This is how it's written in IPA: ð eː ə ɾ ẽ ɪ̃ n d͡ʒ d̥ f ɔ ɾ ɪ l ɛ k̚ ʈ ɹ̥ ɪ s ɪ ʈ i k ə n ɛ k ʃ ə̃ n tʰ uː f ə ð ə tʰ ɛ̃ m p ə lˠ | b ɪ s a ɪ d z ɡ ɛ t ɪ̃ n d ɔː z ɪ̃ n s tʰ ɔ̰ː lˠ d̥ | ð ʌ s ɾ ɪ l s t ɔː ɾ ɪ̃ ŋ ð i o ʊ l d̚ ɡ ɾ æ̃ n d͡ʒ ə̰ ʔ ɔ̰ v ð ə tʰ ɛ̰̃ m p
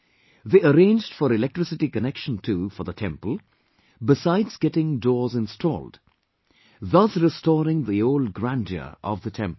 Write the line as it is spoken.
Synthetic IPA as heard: ð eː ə ɾ ẽ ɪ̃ n d͡ʒ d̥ f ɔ ɾ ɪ l ɛ k̚ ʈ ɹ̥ ɪ s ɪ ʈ i k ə n ɛ k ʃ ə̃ n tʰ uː f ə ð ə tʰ ɛ̃ m p ə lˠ | b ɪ s a ɪ d z ɡ ɛ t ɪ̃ ŋ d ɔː z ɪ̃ n s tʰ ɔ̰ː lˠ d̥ | ð ʌ s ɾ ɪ s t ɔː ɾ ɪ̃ ŋ ð i o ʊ l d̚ ɡ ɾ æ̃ n d͡ʒ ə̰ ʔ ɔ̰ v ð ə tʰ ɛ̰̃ m p